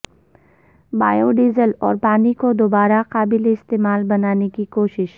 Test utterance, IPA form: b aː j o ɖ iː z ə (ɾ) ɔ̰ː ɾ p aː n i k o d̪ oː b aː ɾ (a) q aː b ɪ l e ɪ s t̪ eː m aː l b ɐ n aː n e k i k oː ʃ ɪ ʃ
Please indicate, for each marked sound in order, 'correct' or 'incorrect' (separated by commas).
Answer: incorrect, correct